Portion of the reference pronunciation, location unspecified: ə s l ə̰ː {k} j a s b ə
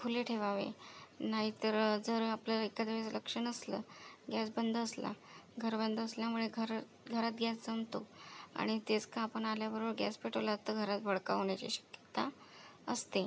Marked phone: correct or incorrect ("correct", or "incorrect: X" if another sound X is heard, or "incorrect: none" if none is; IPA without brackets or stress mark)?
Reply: incorrect: ɡ